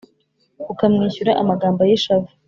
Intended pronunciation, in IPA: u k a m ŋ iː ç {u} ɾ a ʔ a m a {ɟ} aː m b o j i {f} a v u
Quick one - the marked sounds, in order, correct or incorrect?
correct, incorrect, incorrect

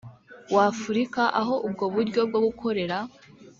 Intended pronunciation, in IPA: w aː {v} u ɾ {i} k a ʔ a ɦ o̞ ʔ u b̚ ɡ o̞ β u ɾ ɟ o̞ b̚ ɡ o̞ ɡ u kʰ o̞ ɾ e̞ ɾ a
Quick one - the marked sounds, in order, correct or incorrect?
incorrect, correct

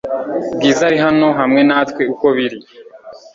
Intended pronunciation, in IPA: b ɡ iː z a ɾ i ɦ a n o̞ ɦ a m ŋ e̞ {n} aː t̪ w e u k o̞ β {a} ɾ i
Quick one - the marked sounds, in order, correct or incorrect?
correct, incorrect

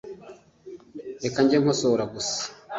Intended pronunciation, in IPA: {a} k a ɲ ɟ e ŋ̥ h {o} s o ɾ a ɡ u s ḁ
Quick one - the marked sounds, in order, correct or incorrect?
incorrect, correct

